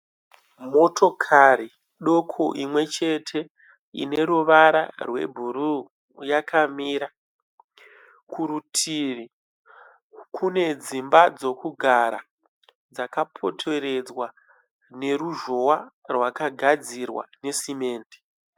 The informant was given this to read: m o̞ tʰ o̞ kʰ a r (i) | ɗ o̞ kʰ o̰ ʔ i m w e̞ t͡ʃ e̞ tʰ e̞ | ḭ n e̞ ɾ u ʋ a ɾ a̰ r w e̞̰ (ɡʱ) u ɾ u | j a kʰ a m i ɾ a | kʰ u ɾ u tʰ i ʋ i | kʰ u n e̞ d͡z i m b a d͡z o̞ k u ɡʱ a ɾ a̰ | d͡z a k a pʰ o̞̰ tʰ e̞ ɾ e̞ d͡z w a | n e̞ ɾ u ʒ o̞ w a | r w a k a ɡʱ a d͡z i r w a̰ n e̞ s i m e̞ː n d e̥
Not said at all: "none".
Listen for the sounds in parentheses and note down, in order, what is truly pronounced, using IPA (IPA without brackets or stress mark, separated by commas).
i, bʱ